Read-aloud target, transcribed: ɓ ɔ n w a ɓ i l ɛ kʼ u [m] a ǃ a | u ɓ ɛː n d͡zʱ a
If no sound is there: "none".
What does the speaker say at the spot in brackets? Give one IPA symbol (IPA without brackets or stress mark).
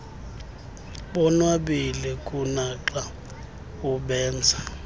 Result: n